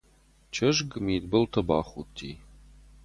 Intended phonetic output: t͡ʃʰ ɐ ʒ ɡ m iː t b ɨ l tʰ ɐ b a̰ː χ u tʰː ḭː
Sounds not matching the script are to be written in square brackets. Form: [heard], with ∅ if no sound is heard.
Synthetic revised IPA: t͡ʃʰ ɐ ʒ ɡ m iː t b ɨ l tʰ ɐ b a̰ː χ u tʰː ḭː